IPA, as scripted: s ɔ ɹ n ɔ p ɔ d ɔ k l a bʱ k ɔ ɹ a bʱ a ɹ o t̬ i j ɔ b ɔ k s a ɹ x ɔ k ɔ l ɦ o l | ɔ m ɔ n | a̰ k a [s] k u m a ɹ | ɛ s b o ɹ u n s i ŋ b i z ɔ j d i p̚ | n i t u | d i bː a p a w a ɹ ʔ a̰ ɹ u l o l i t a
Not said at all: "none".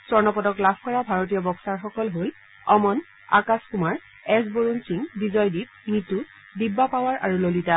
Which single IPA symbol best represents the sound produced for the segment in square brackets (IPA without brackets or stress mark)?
s